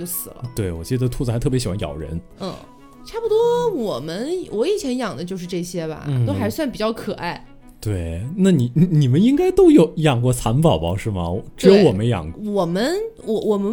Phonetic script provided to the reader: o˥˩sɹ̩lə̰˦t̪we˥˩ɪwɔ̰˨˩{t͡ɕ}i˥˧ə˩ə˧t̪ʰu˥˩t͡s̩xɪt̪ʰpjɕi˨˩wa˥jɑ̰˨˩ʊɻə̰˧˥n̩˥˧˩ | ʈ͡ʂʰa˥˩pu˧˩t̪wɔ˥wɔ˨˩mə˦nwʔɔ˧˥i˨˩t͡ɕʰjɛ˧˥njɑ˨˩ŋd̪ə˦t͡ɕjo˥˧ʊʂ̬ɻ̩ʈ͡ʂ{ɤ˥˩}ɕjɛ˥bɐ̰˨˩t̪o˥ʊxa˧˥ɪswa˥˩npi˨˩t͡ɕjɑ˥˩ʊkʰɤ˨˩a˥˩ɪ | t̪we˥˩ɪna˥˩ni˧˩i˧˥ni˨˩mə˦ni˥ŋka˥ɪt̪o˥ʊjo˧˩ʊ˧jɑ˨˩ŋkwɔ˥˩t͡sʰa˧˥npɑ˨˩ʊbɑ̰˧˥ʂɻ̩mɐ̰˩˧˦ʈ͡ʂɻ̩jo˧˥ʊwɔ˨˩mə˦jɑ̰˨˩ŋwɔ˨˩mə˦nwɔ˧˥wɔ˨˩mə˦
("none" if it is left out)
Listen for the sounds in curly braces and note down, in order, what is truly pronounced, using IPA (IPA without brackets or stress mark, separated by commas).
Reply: t͡ɕ, ɤ˥˩